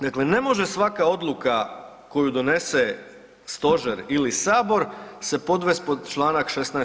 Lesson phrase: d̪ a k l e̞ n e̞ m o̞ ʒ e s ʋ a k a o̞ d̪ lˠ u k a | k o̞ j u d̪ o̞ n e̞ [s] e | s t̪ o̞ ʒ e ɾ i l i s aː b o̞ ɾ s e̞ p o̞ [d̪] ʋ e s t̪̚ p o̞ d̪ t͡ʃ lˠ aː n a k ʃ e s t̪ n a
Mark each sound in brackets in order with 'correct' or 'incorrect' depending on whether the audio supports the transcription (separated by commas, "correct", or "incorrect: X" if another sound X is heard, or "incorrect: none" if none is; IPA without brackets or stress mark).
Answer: correct, correct